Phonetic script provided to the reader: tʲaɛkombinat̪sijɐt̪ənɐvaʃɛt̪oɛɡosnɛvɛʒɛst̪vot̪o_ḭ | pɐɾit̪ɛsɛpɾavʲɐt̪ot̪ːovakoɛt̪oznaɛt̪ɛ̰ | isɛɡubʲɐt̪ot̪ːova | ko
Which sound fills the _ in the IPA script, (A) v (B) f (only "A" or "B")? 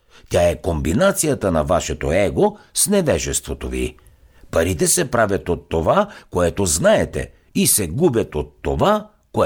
A